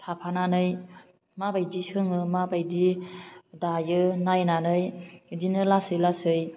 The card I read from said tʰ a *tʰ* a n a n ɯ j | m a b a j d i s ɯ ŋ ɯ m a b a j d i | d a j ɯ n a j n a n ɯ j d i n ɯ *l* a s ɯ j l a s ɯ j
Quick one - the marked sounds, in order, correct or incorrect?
incorrect, correct

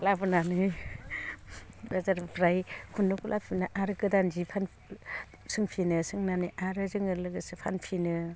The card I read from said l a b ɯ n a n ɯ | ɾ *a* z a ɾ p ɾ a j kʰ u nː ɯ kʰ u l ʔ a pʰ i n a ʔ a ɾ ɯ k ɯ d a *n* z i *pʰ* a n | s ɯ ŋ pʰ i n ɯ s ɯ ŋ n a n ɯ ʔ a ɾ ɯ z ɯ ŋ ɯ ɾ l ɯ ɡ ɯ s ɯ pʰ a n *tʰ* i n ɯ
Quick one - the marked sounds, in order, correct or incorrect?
correct, correct, correct, incorrect

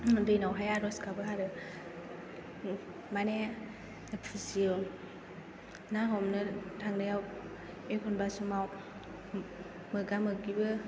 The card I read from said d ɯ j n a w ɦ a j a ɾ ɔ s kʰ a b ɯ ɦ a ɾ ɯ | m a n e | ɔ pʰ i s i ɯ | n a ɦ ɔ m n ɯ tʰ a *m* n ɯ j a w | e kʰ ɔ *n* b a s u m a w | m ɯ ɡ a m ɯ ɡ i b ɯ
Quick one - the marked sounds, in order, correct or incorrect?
incorrect, correct

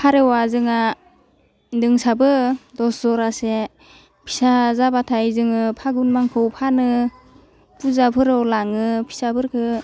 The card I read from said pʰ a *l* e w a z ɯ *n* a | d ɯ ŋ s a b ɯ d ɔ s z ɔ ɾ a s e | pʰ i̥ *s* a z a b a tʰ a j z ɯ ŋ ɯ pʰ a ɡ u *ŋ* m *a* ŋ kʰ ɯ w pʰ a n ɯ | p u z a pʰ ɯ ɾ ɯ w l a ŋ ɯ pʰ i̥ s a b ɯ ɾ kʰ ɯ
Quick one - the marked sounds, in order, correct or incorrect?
incorrect, incorrect, correct, incorrect, correct

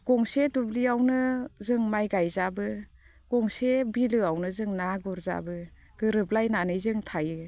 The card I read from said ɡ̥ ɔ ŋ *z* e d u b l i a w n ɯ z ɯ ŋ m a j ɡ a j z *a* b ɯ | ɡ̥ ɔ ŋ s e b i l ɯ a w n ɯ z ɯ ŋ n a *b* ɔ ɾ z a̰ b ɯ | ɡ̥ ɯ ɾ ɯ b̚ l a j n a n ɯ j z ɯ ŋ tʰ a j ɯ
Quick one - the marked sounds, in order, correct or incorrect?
incorrect, correct, incorrect

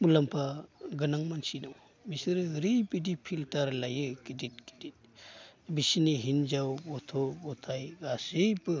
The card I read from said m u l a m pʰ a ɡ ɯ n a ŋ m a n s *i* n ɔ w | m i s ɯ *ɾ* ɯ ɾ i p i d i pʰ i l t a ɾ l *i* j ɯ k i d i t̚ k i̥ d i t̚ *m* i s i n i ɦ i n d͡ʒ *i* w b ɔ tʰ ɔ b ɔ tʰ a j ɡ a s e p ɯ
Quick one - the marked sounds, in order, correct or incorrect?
correct, correct, incorrect, incorrect, incorrect

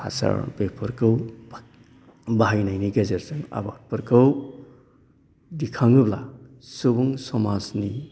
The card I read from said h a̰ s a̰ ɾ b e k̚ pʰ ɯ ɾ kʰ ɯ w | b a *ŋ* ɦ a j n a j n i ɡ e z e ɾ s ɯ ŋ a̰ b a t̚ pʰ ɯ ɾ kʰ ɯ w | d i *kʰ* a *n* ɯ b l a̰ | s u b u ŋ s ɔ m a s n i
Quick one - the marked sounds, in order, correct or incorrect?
incorrect, correct, incorrect

